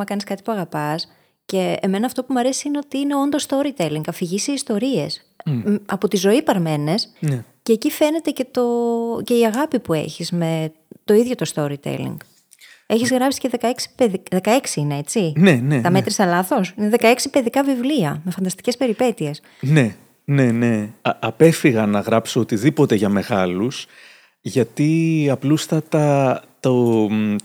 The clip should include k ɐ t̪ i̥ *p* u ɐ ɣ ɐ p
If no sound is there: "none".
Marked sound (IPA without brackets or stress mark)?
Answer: p